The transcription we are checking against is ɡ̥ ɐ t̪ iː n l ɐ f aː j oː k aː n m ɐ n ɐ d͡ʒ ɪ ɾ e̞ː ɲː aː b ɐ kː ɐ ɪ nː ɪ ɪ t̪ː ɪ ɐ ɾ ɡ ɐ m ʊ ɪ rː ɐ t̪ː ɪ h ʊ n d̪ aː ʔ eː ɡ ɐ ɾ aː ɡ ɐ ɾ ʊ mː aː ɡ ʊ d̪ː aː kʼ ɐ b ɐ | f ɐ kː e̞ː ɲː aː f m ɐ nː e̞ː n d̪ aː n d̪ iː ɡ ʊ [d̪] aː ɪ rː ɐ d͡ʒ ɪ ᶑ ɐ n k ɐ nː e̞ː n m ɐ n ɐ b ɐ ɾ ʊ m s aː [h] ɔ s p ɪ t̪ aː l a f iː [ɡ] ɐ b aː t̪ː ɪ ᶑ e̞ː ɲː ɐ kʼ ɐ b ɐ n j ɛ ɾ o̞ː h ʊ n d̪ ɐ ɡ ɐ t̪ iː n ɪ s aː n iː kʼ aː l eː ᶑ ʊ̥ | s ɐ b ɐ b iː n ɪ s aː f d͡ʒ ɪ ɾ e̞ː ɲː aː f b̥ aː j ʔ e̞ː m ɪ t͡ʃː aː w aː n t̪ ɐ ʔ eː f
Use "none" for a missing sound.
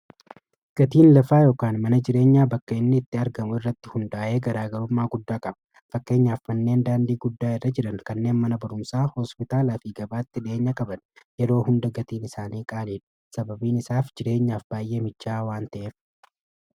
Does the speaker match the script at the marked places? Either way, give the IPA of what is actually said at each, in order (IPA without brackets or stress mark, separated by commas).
d̪ː, h, ɡ